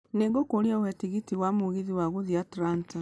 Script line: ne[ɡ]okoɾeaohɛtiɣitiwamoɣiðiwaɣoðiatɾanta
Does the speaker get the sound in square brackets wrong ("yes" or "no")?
no